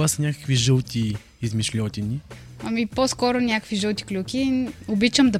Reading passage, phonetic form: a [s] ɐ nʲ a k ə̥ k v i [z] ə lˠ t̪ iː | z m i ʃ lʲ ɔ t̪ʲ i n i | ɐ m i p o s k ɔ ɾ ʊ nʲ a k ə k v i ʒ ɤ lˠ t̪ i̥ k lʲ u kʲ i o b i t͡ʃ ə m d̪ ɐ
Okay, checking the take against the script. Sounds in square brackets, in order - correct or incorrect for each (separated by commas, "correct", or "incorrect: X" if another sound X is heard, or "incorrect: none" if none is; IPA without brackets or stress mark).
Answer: correct, incorrect: ʒ